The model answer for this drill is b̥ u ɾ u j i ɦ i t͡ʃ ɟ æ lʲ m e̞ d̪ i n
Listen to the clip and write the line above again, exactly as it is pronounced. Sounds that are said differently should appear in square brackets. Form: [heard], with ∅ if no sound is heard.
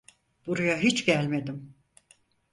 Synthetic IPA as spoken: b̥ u ɾ u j [a] ɦ i t͡ʃ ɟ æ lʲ m e̞ d̪ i [m]